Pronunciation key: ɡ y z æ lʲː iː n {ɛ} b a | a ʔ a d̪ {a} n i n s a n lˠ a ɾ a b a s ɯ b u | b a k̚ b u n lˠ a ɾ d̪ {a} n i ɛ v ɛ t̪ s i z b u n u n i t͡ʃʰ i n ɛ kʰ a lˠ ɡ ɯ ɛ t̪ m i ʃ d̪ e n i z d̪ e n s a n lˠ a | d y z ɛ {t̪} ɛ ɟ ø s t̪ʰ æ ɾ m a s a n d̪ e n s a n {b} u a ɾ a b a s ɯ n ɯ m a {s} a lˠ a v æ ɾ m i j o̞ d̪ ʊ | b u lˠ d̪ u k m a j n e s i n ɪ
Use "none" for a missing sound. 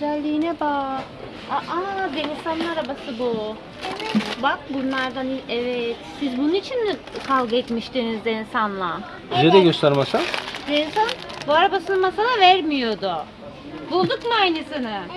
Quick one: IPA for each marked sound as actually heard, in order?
ɛ, e, a, d̪, b, s

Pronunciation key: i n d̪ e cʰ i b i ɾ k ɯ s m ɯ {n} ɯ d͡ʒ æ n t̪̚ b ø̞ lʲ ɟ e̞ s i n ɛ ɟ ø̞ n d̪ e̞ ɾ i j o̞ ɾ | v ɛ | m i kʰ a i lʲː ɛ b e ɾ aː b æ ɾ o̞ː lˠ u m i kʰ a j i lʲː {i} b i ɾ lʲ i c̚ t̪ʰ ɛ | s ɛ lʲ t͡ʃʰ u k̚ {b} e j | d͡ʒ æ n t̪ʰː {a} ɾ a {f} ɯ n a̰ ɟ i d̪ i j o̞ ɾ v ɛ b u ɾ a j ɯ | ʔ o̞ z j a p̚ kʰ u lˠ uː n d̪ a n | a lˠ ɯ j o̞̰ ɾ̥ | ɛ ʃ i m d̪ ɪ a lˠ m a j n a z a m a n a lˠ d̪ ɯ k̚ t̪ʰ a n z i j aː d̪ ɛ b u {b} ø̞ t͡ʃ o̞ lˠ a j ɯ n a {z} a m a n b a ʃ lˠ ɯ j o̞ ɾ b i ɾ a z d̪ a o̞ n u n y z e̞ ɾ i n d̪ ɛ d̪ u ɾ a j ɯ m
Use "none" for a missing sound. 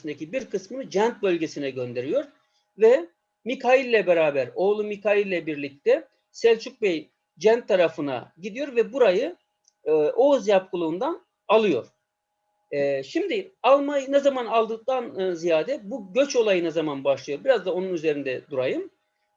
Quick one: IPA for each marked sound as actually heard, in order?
n, ɛ, b, a, f, ɟ, z

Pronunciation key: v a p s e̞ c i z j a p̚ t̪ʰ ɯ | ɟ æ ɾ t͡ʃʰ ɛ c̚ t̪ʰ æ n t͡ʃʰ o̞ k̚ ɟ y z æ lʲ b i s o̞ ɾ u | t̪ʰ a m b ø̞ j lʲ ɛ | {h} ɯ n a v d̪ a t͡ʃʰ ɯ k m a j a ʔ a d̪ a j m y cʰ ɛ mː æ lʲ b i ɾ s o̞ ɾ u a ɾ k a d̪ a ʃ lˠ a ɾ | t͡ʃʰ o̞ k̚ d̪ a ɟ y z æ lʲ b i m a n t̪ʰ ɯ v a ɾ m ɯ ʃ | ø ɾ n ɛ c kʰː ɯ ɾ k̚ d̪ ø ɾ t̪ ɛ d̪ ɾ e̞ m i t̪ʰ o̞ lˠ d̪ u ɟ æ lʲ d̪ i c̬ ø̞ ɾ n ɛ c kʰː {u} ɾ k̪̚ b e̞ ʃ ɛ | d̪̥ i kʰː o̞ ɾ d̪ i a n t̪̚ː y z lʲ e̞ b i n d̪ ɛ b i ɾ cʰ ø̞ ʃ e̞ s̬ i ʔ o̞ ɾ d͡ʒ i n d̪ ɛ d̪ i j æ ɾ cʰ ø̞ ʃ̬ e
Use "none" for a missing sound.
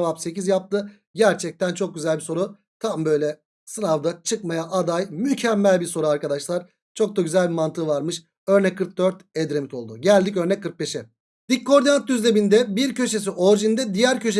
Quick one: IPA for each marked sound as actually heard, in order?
s, ɯ

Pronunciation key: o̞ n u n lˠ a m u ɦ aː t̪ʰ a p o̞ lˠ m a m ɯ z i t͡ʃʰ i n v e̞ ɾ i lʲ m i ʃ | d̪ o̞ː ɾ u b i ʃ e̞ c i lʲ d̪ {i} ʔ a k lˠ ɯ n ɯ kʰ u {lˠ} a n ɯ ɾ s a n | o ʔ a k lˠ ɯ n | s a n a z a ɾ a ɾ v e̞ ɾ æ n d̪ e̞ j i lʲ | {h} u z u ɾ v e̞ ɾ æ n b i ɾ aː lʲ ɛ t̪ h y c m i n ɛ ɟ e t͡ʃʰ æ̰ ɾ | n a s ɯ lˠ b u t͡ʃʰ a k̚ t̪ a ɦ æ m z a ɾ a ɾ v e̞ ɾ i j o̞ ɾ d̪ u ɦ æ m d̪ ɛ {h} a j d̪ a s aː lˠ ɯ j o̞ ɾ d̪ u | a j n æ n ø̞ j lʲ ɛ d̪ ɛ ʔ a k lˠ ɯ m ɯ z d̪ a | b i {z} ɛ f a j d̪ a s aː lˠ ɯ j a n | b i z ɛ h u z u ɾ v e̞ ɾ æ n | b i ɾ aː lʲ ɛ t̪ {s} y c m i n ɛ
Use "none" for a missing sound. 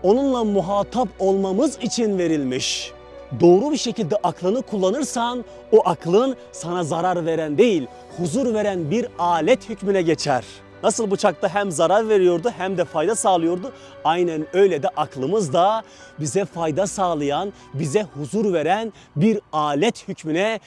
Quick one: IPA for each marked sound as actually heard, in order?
ɛ, lˠː, h, f, z, h

